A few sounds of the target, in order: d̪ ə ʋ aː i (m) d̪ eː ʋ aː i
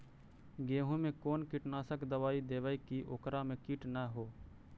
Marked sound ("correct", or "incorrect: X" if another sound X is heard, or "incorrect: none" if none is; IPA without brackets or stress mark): incorrect: none